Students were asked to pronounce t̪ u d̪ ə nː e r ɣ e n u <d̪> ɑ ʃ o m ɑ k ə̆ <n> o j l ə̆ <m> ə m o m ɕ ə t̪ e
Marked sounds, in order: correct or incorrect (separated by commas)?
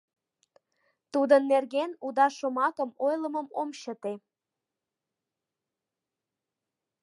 correct, incorrect, correct